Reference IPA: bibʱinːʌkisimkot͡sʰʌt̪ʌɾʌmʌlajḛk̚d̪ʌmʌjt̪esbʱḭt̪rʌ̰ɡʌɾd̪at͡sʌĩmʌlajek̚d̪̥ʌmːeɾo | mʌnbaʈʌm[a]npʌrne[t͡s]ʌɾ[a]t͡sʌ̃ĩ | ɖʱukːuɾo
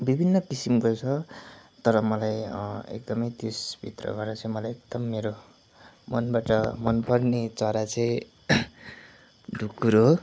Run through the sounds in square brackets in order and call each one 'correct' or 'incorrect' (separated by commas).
incorrect, correct, correct